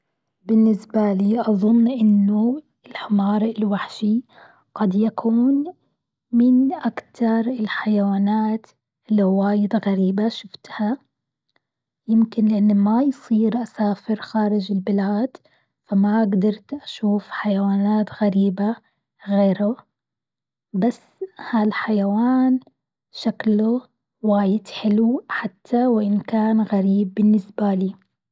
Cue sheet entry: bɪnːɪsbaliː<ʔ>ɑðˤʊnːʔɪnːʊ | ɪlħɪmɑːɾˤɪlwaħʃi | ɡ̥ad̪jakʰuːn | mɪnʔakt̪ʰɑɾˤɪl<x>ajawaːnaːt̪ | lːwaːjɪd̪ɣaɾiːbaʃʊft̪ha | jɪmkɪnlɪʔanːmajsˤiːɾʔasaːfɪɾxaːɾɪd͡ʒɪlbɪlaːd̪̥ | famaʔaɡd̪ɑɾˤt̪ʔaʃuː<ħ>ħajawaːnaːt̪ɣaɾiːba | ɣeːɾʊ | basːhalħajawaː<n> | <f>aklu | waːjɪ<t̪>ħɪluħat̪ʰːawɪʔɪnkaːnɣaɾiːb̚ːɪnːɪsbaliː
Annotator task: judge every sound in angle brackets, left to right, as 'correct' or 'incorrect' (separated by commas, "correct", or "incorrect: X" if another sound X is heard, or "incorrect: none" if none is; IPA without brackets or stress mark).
correct, incorrect: ħ, incorrect: f, correct, incorrect: ʃ, incorrect: d̪